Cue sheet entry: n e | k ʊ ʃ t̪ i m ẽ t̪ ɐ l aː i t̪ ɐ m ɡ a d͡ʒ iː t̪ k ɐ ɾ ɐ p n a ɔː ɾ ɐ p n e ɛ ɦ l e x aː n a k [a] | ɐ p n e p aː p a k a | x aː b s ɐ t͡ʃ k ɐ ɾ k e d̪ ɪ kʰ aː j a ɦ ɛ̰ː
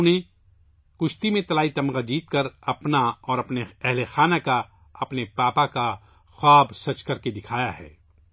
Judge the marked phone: correct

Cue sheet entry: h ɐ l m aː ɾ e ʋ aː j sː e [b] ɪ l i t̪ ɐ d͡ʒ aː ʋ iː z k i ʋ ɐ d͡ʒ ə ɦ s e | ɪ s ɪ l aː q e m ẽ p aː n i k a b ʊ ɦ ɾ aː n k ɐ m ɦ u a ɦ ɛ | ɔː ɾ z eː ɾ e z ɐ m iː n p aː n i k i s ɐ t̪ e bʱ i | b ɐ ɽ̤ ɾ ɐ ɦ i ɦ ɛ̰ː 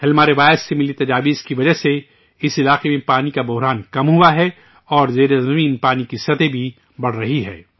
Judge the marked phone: incorrect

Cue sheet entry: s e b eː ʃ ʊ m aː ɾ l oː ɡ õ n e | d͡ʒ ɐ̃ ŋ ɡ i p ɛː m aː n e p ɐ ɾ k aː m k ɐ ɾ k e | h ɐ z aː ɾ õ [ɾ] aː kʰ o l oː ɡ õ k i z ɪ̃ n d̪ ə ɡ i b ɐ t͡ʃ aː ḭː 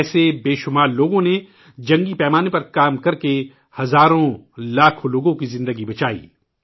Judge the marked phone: incorrect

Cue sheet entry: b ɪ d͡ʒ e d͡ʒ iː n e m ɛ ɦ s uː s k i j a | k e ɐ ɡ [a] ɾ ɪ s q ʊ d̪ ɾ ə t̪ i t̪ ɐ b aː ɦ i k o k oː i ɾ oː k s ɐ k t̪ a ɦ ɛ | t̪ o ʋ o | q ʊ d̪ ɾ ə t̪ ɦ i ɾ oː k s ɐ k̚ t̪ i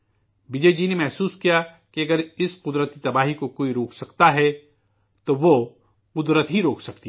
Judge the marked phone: incorrect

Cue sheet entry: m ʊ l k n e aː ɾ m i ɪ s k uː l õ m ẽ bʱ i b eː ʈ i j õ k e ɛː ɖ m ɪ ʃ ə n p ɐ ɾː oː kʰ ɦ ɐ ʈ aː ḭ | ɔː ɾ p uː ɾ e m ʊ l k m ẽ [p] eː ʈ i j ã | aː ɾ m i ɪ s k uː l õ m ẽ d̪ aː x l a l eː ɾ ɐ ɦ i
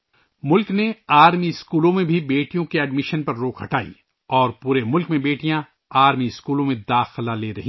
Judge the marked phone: incorrect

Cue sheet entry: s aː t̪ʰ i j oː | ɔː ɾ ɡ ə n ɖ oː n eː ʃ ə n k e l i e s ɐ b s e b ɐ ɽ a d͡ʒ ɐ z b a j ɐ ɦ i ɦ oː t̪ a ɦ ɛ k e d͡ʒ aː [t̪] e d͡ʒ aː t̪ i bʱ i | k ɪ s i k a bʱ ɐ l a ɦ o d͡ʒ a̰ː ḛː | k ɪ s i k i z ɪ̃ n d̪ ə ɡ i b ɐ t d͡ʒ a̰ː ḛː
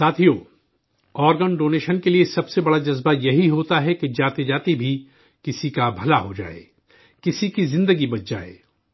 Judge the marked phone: correct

